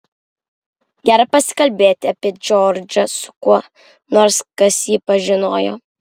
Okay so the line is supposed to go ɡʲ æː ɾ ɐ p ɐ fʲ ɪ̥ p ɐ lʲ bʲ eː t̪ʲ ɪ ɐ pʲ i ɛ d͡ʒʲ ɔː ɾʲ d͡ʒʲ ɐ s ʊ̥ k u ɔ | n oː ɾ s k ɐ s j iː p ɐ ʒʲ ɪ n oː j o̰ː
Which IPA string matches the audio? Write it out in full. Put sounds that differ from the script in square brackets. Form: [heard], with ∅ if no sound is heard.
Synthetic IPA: ɡʲ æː ɾ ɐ p ɐ [sʲ] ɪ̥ [k] ɐ lʲ bʲ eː t̪ʲ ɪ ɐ pʲ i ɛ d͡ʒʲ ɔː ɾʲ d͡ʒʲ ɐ s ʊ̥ k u ɔ | n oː ɾ s k ɐ s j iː p ɐ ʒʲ ɪ n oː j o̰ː